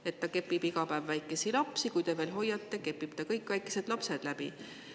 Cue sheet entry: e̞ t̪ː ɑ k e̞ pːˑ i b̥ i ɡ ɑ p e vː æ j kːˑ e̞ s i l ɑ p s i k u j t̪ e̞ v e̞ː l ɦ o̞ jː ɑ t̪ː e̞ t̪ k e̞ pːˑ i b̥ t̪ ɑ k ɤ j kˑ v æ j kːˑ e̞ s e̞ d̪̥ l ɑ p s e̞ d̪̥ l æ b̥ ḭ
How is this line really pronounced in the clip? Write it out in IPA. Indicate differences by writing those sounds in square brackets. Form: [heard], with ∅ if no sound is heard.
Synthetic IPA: e̞ t̪ː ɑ k e̞ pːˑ i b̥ i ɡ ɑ p [æ] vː æ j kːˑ e̞ s i l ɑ p s i k u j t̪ e̞ v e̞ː l ɦ o̞ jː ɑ t̪ː e̞ [∅] k e̞ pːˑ i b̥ t̪ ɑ k ɤ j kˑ v æ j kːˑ e̞ s e̞ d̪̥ l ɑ p s e̞ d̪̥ l æ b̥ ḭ